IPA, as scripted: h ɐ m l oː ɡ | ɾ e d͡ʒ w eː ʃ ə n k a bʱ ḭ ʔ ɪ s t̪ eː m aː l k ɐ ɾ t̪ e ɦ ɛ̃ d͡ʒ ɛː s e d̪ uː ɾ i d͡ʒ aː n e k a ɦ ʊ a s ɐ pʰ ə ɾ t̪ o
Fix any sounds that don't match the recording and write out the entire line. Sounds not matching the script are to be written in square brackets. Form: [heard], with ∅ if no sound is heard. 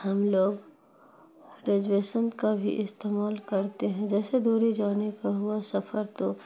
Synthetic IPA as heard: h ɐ m l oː ɡ | ɾ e d͡ʒ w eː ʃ ə n k a bʱ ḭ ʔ ɪ s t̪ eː m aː l k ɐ ɾ t̪ e ɦ ɛ̃ d͡ʒ ɛː s e d̪ uː ɾ i d͡ʒ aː n e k a ɦ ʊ a s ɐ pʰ ə ɾ t̪ o